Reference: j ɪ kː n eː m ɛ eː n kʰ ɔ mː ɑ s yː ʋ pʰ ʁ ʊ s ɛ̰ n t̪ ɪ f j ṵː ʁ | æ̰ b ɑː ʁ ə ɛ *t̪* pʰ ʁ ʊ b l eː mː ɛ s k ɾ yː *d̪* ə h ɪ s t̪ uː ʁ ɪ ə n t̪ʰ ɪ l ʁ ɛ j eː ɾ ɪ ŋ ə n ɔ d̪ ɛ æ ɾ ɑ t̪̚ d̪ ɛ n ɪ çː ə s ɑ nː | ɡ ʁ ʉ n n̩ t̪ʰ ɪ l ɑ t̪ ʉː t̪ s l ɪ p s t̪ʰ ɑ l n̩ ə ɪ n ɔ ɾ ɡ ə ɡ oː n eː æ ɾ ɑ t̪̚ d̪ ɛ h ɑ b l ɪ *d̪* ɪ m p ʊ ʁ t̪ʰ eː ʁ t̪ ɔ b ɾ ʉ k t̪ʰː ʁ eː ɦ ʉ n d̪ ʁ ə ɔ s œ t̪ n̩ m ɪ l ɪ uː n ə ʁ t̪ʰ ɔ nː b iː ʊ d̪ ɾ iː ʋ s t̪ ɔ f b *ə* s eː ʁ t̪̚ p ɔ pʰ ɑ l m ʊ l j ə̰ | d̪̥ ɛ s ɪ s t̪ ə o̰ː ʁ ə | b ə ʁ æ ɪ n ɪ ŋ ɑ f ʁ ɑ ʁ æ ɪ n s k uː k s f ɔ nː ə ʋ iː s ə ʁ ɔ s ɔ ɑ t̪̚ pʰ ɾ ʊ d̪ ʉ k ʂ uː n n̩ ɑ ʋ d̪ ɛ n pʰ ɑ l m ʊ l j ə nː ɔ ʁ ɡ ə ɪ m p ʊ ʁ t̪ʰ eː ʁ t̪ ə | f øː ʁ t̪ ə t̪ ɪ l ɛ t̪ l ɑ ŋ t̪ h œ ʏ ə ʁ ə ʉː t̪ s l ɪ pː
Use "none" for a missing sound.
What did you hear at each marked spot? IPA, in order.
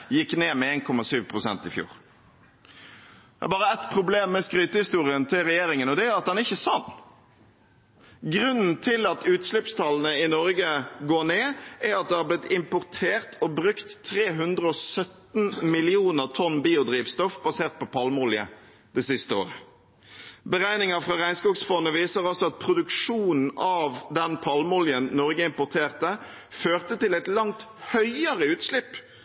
t̪, t̪, t̪, ɑ

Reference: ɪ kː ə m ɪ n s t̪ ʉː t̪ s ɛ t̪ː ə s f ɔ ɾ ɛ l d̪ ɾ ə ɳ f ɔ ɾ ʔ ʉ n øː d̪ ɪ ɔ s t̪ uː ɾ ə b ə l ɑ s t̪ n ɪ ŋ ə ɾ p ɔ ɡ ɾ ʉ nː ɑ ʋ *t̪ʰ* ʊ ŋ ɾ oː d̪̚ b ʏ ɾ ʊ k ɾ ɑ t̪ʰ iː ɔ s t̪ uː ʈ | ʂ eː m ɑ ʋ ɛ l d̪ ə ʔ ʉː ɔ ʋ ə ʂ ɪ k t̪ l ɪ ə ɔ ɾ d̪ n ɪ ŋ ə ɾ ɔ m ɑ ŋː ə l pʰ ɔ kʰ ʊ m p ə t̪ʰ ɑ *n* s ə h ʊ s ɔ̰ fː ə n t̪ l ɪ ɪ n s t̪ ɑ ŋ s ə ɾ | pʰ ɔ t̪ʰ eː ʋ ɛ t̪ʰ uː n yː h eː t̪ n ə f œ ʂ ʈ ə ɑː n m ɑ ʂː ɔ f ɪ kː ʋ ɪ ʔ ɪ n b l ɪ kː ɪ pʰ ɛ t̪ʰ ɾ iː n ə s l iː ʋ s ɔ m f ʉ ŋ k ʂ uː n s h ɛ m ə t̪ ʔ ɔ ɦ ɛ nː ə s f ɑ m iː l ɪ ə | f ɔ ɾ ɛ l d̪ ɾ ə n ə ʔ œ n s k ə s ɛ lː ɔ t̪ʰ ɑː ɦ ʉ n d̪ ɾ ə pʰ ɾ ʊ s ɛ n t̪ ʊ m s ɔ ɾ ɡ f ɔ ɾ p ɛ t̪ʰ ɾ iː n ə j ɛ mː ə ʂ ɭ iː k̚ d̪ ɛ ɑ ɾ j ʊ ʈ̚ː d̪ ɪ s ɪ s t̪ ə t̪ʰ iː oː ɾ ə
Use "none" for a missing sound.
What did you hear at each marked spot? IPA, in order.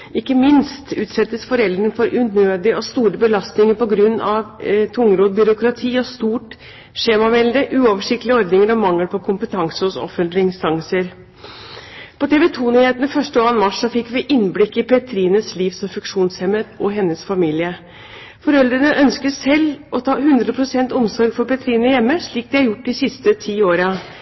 t̪ʰ, ŋ

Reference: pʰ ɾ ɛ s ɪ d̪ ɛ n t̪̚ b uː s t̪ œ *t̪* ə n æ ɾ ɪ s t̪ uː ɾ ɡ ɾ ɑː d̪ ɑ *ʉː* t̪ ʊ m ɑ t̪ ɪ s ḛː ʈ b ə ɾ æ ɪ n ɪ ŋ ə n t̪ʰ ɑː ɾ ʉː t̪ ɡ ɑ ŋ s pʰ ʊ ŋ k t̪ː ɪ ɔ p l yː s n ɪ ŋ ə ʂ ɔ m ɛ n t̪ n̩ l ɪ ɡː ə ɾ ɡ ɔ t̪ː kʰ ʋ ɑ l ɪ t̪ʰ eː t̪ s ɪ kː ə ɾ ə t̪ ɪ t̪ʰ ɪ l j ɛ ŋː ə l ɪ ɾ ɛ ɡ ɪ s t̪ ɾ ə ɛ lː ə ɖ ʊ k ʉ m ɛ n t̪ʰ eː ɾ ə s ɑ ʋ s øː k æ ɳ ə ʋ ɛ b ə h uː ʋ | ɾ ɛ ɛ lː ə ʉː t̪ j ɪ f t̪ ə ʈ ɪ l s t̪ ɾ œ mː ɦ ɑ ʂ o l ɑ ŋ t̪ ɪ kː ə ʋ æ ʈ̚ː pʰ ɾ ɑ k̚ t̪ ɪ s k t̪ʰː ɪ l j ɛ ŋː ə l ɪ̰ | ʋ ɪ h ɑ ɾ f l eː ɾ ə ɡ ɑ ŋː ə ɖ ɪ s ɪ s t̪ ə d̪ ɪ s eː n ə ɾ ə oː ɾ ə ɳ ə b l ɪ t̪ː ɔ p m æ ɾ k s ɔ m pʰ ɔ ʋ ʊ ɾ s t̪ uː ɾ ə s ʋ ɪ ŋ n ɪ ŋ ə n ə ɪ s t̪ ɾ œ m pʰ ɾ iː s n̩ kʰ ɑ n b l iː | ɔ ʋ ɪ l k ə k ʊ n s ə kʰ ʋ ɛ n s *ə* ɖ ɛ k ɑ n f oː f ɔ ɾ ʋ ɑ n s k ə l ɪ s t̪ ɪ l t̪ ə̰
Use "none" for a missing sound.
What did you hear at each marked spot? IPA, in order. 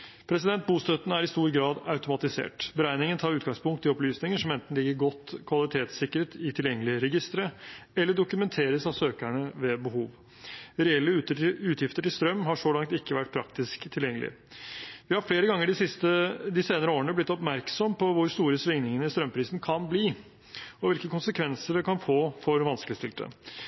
t̪, ʉ, ə

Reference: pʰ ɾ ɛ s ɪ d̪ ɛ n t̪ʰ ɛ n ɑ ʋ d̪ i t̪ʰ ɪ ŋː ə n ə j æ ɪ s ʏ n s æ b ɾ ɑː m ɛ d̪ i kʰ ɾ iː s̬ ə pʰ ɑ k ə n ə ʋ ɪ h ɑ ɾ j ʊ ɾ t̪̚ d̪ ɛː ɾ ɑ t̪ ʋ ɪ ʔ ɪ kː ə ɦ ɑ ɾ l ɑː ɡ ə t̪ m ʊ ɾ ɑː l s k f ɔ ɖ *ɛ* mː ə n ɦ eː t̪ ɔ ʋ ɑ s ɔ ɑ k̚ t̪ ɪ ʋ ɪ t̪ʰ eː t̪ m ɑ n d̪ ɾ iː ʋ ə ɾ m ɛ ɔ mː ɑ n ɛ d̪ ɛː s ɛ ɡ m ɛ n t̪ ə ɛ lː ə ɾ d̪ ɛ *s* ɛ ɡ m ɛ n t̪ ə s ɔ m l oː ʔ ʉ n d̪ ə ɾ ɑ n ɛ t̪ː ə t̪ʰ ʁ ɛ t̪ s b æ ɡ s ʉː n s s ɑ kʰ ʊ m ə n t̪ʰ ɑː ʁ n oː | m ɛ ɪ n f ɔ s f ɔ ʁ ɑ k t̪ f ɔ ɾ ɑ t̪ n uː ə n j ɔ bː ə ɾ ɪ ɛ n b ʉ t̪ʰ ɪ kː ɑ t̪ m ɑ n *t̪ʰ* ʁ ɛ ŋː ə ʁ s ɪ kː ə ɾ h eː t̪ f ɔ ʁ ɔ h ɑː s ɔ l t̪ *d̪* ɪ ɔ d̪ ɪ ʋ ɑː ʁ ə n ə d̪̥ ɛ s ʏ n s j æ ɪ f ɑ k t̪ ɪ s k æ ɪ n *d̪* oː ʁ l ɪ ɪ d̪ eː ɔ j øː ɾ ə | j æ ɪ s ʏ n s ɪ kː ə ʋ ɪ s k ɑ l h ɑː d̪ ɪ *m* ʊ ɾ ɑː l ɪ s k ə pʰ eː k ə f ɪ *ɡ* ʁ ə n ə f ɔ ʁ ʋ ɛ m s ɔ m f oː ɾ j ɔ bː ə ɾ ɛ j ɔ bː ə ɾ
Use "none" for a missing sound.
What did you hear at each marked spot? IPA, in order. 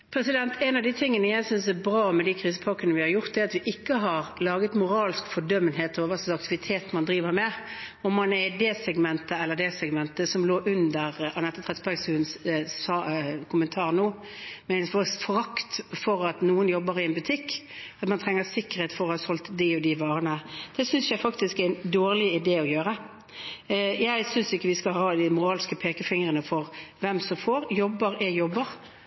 œ, s, t̪ʰ, d̪, d̪, m, ŋ

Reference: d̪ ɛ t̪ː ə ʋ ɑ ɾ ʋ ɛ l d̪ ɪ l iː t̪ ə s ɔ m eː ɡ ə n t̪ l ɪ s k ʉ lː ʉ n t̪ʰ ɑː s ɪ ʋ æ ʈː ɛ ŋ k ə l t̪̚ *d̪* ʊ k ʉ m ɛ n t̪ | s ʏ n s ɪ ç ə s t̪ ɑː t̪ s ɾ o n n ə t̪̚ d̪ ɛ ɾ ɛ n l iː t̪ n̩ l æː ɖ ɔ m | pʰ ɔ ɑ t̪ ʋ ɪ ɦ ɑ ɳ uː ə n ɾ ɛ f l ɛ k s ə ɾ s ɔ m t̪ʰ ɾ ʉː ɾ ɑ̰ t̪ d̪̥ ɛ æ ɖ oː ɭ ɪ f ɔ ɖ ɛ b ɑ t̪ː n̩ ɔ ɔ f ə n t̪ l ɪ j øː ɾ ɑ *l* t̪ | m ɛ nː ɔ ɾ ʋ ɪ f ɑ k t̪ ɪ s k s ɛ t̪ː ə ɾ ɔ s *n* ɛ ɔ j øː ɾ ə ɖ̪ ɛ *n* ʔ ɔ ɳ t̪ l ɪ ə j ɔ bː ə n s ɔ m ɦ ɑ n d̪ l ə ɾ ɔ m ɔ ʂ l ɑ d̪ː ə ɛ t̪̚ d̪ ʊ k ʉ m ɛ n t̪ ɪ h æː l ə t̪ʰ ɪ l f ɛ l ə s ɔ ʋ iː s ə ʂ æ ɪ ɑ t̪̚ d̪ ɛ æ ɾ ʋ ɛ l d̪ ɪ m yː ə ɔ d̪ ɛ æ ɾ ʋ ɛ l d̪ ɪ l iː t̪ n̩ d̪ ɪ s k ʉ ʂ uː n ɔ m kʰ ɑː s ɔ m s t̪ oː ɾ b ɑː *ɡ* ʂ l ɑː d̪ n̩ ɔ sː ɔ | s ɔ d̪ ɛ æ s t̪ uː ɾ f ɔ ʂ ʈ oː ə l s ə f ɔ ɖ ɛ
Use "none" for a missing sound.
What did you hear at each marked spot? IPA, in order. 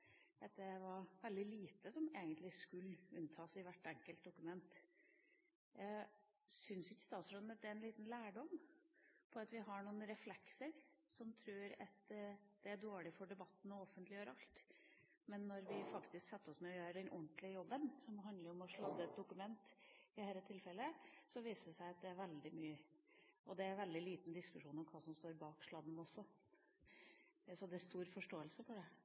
d̪, l, m, n, k

